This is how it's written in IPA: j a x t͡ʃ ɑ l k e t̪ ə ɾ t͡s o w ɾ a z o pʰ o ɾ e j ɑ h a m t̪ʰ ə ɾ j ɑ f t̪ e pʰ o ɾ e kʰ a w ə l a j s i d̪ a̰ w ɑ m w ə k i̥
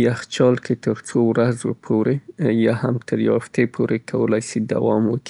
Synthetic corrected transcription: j a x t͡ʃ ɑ l k e t̪ ə ɾ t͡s o w ɾ a z o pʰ o ɾ e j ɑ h a m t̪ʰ ə ɾ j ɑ f t̪ e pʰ o ɾ e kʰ a w ə l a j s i d̪ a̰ w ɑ m w ə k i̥